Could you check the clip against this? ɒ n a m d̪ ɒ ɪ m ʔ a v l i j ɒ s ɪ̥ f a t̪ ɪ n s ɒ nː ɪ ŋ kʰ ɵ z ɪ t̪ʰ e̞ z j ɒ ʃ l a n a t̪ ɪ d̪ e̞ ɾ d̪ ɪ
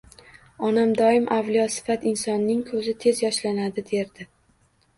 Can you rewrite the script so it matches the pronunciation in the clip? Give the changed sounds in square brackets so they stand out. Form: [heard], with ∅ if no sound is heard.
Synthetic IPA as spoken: ɒ n a m d̪ ɒ ɪ m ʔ a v l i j ɒ s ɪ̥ f a t̪ ɪ n s ɒ nː ɪ ŋ kʰ ɵ z ɪ t̪ʰ e̞ z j ɒ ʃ l a n a [d̪] ɪ d̪ e̞ ɾ d̪ ɪ